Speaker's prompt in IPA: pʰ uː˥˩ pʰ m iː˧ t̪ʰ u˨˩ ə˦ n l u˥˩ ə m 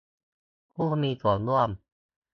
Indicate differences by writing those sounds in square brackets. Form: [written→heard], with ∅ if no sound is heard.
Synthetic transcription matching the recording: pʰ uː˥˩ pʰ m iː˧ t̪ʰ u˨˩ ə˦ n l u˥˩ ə m